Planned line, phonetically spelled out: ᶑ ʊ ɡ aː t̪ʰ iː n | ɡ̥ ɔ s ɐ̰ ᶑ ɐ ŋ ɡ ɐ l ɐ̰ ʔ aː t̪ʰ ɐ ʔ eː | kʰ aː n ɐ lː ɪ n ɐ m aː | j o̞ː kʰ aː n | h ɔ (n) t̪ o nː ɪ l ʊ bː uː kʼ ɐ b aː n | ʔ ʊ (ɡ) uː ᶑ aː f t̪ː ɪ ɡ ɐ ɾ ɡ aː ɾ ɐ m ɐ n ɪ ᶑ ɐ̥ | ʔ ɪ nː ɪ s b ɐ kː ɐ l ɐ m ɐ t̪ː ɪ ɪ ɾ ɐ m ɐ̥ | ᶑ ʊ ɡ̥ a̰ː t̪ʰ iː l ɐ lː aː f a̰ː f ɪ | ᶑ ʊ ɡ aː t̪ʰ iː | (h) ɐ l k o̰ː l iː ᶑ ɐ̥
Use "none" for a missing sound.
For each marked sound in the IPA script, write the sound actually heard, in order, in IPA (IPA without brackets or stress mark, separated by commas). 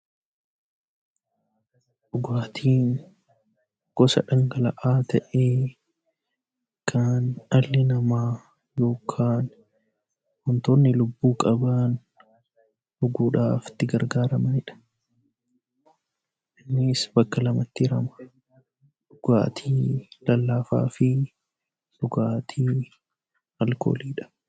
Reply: n, ɡ, h